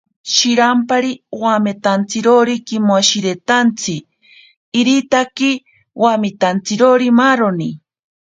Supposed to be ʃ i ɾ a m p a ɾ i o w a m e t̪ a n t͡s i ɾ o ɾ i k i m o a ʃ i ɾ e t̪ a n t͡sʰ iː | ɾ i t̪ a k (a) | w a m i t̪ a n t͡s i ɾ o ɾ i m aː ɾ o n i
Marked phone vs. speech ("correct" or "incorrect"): incorrect